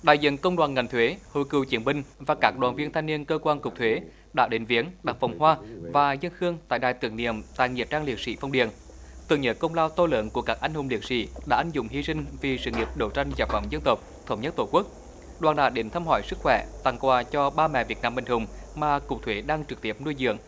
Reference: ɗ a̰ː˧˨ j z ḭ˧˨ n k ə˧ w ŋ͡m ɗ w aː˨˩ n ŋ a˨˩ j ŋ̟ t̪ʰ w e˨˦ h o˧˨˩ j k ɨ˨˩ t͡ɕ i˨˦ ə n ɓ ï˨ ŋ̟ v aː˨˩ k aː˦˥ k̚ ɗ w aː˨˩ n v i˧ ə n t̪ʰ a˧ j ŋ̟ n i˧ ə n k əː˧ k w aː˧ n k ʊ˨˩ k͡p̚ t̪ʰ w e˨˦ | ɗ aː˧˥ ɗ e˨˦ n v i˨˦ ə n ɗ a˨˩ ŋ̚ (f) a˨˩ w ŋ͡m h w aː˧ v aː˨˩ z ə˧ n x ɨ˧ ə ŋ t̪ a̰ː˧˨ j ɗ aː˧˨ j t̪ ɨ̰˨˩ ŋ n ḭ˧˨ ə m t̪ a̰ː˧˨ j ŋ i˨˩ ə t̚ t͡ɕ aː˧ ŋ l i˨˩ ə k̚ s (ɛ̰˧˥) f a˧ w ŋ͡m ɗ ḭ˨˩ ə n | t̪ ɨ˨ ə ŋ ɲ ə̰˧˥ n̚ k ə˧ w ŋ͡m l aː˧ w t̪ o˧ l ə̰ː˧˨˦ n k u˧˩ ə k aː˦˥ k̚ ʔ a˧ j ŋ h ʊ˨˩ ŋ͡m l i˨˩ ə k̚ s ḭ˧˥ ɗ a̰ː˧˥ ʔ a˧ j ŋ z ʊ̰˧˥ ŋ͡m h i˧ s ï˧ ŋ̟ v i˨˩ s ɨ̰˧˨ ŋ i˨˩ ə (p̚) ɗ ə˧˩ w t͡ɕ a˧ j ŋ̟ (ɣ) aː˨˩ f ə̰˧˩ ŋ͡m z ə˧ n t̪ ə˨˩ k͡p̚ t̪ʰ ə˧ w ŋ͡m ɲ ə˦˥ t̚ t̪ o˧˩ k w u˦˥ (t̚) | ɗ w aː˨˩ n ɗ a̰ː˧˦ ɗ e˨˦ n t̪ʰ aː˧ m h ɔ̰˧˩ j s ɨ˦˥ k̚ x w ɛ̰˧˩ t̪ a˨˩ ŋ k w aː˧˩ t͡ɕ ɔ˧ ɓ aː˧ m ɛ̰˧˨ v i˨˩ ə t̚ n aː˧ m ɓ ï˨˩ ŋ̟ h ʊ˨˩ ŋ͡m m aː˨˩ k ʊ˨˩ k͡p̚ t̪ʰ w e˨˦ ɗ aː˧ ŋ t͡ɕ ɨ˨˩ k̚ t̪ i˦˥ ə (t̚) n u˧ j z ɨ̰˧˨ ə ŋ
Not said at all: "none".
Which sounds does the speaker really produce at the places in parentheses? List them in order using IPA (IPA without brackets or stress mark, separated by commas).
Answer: f, ḭ˧˥, p̚, z, k̚, p̚